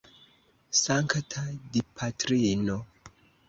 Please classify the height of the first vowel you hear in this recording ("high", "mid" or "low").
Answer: low